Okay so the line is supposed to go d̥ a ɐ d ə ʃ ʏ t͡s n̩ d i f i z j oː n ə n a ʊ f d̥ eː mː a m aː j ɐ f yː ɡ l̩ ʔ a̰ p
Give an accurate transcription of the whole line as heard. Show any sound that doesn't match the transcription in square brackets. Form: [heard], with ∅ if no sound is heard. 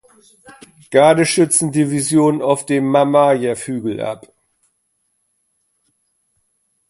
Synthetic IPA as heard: [ɡ̥] a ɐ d ə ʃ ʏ t͡s n̩ d i [v] i z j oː n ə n a ʊ f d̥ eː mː a m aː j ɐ f yː ɡ l̩ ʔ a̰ p